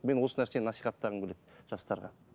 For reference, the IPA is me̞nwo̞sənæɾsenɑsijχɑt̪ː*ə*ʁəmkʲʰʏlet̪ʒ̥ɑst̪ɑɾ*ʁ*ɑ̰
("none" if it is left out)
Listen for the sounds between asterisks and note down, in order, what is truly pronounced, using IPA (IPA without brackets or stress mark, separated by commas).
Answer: ɑ, ʁ